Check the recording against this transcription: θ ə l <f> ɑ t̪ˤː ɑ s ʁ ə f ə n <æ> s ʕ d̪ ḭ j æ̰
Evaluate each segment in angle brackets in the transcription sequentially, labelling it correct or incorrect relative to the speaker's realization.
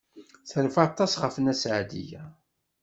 correct, correct

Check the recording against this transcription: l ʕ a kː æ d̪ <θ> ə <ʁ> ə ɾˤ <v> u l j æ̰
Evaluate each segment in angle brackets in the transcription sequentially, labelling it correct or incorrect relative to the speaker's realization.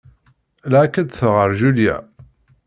correct, correct, incorrect: ʒ

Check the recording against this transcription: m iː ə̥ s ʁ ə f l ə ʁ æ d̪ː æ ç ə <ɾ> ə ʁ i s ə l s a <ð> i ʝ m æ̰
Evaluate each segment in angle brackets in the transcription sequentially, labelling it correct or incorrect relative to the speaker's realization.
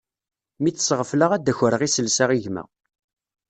correct, incorrect: ʁ

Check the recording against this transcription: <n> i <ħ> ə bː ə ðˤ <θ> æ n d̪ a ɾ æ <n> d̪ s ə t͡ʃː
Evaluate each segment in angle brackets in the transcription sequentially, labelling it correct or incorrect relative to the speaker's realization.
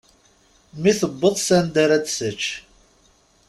incorrect: m, incorrect: θ, incorrect: s, incorrect: none

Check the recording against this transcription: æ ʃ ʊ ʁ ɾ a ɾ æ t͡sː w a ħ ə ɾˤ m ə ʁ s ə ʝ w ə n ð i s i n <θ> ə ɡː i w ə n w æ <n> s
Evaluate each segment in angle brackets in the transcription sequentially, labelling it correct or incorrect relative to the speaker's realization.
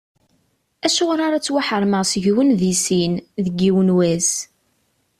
incorrect: ð, incorrect: none

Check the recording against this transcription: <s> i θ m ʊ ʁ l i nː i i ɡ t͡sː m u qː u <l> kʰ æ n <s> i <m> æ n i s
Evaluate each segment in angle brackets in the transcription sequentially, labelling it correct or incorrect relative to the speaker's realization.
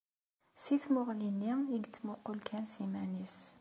correct, correct, correct, correct

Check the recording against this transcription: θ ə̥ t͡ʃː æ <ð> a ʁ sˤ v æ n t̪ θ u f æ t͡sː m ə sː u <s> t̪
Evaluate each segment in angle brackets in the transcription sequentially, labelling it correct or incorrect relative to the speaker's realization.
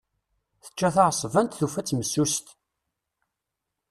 incorrect: θ, correct

